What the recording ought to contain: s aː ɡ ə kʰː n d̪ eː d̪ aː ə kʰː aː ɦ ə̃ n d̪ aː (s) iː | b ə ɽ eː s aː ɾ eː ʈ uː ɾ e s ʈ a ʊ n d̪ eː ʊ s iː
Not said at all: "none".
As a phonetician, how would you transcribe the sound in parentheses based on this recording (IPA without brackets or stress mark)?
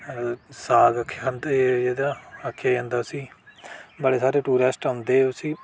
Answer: s